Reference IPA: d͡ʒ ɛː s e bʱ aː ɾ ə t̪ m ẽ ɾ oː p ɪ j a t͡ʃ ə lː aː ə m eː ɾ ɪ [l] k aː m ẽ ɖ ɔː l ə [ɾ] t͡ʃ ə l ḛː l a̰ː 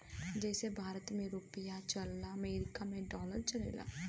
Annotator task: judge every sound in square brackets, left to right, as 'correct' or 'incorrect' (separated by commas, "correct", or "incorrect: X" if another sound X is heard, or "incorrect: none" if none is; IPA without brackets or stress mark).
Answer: incorrect: none, correct